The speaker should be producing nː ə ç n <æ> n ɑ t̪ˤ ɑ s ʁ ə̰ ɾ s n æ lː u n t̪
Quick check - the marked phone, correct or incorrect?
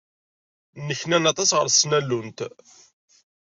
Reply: correct